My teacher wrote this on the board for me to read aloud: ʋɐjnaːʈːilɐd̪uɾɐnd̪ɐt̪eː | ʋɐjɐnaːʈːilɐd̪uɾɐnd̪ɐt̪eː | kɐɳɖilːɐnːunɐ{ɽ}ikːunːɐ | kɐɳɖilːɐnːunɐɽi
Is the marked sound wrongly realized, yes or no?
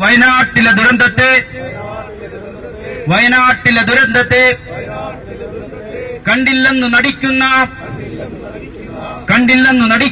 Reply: no